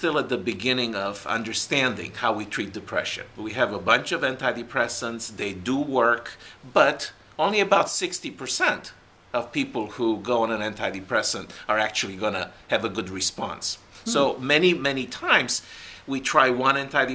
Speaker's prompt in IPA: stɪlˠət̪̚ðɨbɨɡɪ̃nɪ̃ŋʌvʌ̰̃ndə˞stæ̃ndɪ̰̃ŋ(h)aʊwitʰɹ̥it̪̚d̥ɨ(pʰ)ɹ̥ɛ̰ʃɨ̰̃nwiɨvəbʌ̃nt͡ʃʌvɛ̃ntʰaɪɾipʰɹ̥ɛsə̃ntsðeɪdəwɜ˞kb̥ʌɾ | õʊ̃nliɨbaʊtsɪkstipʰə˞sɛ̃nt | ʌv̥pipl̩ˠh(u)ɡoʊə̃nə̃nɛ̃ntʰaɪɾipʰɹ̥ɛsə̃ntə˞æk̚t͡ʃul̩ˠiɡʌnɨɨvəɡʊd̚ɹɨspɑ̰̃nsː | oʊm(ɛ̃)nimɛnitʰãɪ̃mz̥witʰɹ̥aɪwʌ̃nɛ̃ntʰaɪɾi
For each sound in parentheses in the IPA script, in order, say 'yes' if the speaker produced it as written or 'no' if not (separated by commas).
yes, yes, yes, no